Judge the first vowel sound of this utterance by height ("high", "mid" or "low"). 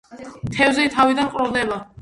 mid